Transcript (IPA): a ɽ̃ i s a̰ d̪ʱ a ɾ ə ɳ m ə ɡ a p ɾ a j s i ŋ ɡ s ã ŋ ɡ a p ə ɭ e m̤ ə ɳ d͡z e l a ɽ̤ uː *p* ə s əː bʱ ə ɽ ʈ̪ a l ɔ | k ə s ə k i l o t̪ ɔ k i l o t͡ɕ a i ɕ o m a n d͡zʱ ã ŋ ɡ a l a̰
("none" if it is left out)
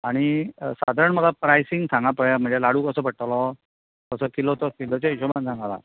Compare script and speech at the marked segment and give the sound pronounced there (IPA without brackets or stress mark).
k